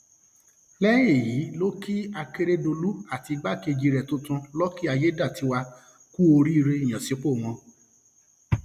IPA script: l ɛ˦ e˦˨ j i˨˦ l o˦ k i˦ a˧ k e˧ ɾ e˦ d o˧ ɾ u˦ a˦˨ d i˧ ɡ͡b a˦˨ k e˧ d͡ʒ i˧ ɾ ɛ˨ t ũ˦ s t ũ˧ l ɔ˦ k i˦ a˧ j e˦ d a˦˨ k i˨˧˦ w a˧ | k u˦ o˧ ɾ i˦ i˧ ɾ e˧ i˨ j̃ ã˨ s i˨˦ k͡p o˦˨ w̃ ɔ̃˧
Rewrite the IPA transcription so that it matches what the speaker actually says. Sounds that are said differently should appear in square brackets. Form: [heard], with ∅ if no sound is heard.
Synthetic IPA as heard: l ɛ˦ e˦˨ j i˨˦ l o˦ k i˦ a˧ k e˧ ɾ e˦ d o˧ [l] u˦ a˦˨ [t] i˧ ɡ͡b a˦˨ k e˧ d͡ʒ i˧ ɾ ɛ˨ t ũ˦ [∅] t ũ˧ l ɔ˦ k i˦ a˧ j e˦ d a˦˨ [t] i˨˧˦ w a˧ | k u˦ o˧ ɾ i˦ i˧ ɾ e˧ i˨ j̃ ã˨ s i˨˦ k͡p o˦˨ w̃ ɔ̃˧